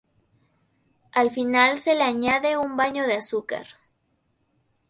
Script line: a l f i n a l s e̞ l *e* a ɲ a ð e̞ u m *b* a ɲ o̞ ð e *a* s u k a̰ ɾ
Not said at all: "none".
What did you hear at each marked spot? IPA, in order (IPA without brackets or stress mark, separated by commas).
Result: e, b, a